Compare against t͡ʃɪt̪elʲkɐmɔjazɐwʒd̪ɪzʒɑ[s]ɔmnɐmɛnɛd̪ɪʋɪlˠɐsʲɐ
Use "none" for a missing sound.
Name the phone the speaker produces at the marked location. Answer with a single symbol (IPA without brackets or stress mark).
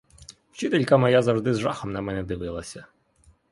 x